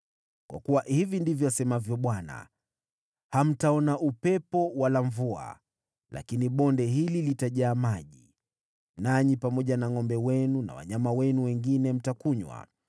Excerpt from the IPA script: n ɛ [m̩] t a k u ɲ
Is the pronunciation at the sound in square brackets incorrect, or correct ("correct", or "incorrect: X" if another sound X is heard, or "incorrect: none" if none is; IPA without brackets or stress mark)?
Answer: correct